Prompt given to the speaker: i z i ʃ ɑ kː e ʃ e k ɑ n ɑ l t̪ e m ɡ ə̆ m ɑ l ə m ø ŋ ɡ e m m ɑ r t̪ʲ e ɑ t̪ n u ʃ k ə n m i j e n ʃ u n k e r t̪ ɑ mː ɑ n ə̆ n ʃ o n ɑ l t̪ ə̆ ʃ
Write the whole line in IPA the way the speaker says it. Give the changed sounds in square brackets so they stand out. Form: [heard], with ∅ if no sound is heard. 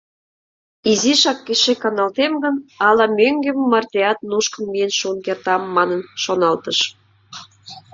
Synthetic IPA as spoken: i z i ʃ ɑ kː e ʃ e k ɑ n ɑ l t̪ e m ɡ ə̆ [n] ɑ l [ɑ] m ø ŋ ɡ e m m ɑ r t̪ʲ e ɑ t̪ n u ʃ k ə n m i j e n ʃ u n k e r t̪ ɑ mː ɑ n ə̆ n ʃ o n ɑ l t̪ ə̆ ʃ